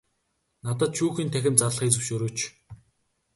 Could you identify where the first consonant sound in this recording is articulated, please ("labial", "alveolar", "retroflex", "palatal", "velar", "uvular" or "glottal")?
alveolar